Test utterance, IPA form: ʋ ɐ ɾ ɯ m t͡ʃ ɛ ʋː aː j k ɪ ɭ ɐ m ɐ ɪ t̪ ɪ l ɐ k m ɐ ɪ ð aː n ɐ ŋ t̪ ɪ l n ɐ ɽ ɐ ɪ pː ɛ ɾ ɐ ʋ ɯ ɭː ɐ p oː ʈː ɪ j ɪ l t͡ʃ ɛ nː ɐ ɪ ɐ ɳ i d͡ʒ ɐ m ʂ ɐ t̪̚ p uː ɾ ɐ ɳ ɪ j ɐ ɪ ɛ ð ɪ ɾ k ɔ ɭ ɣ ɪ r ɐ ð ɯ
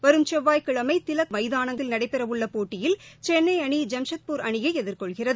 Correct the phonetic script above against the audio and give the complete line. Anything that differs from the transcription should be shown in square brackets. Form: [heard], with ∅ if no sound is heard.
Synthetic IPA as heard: ʋ ɐ ɾ ɯ m t͡ʃ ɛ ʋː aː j k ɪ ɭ ɐ m ɐ ɪ t̪ ɪ l ɐ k m ɐ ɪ ð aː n ɐ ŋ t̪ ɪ l n ɐ ɽ ɐ ɪ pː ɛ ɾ ɐ ʋ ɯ ɭː ɐ p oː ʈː ɪ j ɪ l t͡ʃ ɛ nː ɐ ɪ ɐ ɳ i d͡ʒ ɐ m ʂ ɐ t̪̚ p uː ɾ ɐ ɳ ɪ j ɐ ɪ ɛ ð ɪ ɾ k ɔ ɭ ɣ ɪ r ɐ ð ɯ